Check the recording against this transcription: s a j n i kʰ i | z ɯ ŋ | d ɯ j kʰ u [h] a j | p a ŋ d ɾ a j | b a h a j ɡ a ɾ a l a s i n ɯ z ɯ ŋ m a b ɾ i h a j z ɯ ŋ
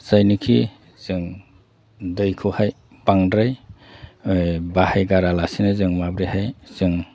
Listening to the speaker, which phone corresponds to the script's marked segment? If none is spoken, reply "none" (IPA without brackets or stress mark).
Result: h